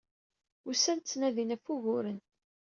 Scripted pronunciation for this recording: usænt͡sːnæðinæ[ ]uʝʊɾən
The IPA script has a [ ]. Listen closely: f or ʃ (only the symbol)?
f